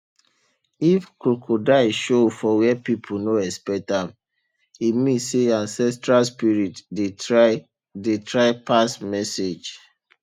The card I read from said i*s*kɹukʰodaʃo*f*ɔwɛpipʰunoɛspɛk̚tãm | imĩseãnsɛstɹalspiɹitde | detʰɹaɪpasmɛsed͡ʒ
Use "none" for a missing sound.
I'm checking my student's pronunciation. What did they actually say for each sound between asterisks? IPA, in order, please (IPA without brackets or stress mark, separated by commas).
f, f